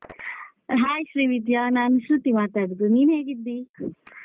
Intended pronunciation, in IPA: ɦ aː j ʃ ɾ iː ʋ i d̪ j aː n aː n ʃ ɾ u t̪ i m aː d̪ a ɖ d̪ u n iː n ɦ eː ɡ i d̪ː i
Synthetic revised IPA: ɦ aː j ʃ ɾ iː ʋ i d̪ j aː n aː n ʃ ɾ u t̪ i m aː t̪ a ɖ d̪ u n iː n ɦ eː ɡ i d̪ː i